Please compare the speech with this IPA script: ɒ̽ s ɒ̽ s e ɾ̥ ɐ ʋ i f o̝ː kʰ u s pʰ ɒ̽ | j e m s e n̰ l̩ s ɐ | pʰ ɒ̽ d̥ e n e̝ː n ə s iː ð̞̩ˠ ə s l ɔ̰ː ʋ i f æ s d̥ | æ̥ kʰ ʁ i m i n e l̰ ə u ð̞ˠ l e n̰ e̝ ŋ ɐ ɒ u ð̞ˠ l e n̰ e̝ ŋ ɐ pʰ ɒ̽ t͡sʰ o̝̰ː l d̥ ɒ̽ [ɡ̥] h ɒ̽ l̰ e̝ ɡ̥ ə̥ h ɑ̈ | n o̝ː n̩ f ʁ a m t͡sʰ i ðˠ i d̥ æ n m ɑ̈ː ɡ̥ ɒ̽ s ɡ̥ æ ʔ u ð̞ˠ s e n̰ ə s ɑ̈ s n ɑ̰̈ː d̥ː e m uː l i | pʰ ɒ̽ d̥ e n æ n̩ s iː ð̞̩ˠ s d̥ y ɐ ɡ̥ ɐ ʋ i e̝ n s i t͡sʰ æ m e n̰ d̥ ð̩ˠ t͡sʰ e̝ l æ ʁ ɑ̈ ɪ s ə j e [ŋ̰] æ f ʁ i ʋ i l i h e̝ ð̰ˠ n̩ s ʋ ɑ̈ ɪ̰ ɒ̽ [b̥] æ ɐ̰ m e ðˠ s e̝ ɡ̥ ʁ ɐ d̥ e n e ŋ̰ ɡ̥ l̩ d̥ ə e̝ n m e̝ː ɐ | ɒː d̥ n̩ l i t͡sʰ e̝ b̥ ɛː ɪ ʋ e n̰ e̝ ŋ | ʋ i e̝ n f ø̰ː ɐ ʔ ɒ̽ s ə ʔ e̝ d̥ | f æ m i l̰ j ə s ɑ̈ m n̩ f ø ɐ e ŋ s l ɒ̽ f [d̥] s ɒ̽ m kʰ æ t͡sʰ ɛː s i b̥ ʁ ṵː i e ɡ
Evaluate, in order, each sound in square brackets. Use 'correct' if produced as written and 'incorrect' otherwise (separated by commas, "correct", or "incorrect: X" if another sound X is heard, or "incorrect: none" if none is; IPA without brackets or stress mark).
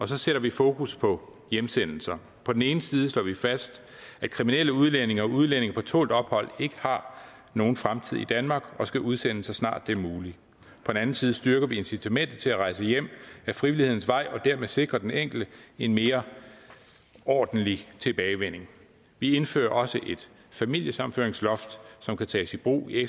incorrect: b̥, incorrect: m̰, incorrect: d̥, correct